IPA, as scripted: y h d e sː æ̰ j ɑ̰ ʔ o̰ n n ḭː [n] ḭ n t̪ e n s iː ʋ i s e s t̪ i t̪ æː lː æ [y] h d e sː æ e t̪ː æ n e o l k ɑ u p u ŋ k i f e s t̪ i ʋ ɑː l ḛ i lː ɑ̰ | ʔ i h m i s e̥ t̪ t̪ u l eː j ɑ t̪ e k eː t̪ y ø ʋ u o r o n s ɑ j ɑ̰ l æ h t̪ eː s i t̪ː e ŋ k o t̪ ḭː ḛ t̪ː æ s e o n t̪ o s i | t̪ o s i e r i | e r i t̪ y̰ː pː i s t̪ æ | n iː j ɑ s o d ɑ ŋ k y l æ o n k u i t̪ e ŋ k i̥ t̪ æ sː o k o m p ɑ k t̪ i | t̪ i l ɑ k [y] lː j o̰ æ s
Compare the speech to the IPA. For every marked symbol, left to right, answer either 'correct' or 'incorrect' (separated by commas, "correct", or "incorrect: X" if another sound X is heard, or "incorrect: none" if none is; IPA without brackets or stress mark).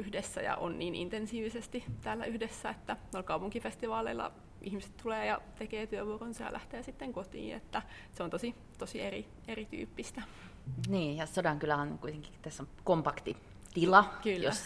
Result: correct, correct, correct